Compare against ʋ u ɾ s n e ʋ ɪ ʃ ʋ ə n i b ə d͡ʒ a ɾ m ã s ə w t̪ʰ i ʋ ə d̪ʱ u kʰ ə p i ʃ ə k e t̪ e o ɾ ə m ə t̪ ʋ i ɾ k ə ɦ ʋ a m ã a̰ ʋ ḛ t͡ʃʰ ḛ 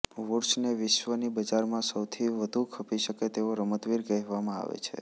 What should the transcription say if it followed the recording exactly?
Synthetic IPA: ʋ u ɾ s n e ʋ ɪ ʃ ʋ ə n i b ə d͡ʒ a ɾ m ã s ə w t̪ʰ i ʋ ə d̪ʱ u kʰ ə p i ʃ ə k e t̪ e o ɾ ə m ə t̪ ʋ i ɾ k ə ɦ ʋ a m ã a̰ ʋ ḛ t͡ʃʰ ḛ